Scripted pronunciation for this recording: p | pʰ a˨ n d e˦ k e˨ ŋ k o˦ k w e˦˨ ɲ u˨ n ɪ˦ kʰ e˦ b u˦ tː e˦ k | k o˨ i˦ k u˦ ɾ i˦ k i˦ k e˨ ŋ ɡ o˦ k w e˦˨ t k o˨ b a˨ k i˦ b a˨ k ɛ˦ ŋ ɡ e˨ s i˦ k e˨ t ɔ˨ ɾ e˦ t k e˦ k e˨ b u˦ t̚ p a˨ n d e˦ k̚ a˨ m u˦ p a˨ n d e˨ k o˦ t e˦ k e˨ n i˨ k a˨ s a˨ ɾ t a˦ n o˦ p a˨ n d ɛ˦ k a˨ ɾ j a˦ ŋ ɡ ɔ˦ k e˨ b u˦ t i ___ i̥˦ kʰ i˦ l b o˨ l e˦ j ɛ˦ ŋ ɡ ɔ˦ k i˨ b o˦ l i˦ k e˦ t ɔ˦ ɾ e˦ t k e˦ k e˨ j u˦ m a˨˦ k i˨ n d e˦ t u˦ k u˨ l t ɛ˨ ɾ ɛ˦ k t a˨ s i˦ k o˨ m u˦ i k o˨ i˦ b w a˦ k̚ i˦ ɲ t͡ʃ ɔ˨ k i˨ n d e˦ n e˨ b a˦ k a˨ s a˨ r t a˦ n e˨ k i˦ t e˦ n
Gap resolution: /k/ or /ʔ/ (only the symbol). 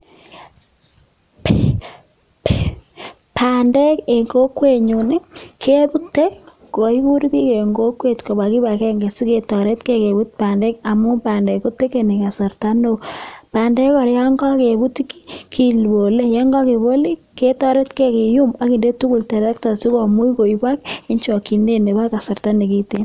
k